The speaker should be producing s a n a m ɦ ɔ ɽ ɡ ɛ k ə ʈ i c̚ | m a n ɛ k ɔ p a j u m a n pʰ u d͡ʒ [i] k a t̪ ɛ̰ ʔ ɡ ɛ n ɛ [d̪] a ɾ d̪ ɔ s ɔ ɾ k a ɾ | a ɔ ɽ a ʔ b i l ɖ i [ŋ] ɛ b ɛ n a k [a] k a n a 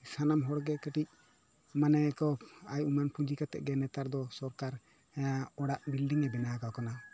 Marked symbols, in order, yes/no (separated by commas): yes, no, yes, yes